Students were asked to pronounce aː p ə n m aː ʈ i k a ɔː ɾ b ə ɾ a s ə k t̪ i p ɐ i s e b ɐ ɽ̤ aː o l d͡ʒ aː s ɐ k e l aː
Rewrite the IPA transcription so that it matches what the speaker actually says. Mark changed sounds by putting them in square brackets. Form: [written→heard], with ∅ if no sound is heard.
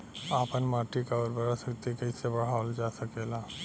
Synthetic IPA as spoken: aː p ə n m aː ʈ i k a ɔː ɾ b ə ɾ a s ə k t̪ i [p→k] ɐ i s e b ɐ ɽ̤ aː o l d͡ʒ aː s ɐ k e l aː